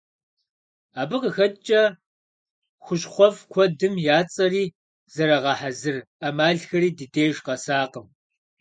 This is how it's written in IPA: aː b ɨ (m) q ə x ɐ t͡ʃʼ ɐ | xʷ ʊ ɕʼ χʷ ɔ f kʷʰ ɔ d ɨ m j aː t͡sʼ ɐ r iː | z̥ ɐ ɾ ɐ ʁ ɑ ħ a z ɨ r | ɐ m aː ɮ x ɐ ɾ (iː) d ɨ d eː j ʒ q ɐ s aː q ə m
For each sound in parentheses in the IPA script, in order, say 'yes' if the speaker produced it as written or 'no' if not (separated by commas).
no, yes